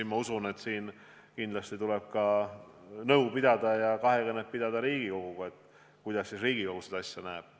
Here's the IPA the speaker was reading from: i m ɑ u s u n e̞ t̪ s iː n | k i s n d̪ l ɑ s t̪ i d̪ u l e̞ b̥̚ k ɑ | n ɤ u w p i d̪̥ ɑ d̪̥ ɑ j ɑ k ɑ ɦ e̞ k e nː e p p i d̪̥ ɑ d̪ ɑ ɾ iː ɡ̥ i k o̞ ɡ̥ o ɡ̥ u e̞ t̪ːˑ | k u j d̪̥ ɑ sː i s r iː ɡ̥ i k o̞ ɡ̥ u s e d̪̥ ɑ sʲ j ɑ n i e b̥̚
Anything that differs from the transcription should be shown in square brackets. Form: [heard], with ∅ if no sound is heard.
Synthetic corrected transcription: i m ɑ u s u n e̞ t̪ s iː n | k i [∅] n d̪ l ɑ s t̪ i [t̪] u l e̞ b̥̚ k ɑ | n ɤ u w p i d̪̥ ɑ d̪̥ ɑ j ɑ k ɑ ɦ e̞ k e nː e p p i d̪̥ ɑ d̪ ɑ ɾ iː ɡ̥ i k o̞ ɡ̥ [u] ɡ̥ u e̞ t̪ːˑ | k u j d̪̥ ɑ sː i s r iː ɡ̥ i k o̞ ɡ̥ u s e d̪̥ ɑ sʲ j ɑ n [æ] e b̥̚